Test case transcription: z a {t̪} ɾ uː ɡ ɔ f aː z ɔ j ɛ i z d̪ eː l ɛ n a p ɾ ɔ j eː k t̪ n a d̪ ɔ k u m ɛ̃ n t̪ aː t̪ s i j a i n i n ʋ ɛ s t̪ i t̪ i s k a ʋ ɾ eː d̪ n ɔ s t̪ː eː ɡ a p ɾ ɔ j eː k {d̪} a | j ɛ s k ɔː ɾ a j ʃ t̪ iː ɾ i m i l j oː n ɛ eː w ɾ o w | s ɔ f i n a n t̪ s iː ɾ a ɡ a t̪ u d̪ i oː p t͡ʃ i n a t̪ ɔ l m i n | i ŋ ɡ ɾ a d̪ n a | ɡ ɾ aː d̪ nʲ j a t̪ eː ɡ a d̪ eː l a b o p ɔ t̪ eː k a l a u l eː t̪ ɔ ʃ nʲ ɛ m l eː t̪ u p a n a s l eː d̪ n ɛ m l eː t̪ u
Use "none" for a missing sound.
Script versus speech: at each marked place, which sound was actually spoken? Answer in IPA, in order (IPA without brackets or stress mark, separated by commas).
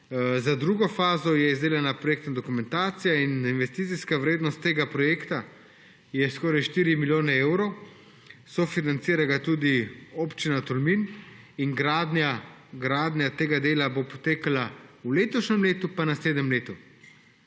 d̪, t̪